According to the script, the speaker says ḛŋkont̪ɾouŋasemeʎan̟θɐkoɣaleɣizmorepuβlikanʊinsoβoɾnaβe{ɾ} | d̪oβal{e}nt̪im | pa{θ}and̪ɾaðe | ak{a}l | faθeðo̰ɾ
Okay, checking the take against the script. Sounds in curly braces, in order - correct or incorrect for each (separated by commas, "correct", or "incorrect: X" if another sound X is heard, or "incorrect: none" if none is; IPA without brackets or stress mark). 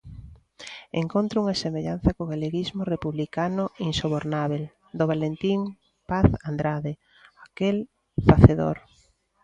incorrect: l, correct, correct, incorrect: e